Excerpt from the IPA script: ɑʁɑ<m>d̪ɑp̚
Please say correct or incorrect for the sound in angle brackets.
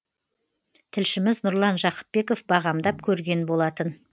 correct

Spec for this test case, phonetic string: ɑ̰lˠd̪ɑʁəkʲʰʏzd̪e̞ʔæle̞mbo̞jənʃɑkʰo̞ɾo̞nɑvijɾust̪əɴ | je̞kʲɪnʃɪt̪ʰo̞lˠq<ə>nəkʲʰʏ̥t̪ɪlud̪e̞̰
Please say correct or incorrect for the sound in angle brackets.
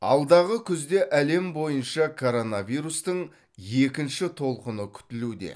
correct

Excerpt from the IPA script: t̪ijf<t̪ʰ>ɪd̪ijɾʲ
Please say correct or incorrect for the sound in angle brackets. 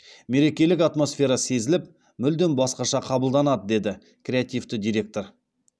incorrect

